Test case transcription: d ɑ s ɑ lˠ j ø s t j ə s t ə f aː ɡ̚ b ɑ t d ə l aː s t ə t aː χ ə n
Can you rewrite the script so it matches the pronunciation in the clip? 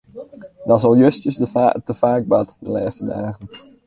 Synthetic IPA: d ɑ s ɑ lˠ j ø s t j ə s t ə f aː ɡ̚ b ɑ t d ə l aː s t ə d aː χ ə n